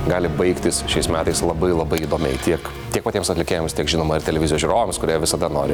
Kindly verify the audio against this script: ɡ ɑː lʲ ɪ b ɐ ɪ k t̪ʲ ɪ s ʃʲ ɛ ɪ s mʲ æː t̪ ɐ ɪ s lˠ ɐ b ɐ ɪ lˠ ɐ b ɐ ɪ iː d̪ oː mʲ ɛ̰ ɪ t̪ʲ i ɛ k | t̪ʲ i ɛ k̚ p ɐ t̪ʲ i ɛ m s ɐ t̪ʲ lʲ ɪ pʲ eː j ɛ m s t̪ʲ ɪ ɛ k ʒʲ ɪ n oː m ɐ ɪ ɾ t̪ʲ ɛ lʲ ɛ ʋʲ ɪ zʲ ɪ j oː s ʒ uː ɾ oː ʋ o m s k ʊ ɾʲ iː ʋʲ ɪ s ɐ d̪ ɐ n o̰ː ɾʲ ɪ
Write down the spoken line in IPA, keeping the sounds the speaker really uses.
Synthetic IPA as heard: ɡ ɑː lʲ ɪ b ɐ ɪ k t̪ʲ ɪ s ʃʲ ɛ ɪ s mʲ æː t̪ ɐ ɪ s lˠ ɐ b ɐ ɪ lˠ ɐ b ɐ ɪ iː d̪ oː mʲ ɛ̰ ɪ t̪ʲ i ɛ k | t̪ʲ i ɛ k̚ p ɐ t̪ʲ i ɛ m s ɐ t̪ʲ lʲ ɪ kʲ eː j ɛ m s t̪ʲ i ɛ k ʒʲ ɪ n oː m ɐ ɪ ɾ t̪ʲ ɛ lʲ ɛ ʋʲ ɪ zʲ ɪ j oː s ʒ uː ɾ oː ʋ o m s k ʊ ɾʲ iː ʋʲ ɪ s ɐ d̪ ɐ n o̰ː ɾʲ ɪ